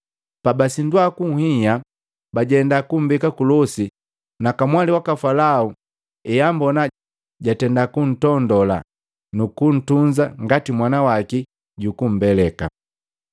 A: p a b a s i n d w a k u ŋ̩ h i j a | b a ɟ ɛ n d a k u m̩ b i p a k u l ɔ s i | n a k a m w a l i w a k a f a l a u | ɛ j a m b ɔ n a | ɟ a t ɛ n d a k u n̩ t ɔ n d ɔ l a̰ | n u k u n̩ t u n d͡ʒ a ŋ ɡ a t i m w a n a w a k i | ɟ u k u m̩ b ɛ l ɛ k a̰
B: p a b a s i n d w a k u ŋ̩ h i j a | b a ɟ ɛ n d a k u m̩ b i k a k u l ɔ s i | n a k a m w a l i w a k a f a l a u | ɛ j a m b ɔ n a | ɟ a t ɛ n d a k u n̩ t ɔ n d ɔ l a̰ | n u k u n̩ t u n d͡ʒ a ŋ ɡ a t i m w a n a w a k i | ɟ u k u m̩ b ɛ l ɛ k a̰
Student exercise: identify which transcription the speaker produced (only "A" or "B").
B